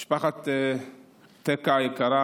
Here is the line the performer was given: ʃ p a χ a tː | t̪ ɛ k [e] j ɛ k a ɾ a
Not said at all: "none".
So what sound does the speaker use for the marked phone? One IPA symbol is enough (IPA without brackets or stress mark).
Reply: a